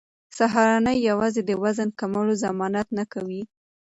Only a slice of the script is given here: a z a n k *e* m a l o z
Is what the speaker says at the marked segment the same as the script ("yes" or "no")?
no